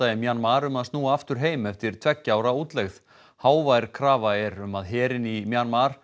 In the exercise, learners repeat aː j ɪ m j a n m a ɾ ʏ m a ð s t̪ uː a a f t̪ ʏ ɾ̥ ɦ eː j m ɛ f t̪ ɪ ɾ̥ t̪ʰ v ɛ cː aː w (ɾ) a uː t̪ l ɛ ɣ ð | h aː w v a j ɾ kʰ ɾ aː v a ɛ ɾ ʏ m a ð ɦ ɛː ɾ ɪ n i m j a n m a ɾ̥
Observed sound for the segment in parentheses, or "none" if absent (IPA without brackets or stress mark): ɾ